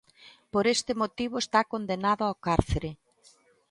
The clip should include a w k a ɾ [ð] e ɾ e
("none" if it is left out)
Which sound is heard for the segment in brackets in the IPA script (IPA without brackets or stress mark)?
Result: θ